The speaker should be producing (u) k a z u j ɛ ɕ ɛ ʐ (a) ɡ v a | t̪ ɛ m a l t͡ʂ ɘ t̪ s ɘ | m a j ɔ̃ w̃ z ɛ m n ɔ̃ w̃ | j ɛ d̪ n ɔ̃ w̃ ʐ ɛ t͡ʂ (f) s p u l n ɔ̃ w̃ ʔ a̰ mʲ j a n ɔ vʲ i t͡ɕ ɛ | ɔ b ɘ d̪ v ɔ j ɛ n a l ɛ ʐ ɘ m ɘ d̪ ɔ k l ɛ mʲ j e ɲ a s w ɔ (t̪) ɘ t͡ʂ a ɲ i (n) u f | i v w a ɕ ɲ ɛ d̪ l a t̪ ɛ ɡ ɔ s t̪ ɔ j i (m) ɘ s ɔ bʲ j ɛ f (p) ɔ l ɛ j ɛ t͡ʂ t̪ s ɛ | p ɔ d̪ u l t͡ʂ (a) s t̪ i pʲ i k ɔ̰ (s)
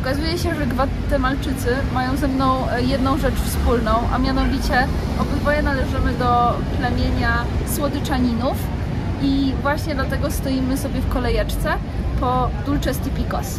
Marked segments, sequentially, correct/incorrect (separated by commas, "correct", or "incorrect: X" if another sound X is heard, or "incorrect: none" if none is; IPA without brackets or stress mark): incorrect: ɔ, incorrect: ɛ, correct, incorrect: d̪, correct, correct, incorrect: k, incorrect: ɛ, correct